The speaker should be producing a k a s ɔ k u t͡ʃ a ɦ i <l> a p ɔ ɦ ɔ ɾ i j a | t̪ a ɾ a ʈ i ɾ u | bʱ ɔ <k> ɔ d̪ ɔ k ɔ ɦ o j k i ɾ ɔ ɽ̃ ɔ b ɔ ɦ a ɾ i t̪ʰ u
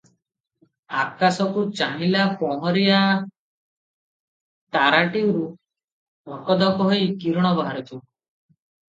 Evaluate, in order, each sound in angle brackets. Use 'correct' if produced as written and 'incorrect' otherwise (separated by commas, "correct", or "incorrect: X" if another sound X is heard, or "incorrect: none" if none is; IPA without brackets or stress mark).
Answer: correct, correct